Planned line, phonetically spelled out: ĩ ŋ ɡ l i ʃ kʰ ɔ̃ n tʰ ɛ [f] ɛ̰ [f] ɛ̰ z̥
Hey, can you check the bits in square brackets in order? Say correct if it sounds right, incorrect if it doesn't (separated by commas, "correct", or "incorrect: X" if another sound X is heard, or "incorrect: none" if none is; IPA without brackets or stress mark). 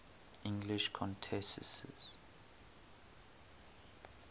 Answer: incorrect: s, incorrect: s